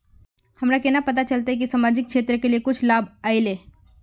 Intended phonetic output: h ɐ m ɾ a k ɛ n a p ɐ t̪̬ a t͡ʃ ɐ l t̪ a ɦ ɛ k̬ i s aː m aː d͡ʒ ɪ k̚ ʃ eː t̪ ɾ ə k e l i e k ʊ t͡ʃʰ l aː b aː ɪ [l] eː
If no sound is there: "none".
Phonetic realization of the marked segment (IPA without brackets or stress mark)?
l